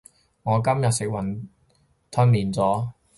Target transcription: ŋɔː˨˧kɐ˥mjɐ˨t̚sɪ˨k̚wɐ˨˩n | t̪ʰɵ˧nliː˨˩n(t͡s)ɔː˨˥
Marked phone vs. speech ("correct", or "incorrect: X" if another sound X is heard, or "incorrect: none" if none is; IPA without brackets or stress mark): correct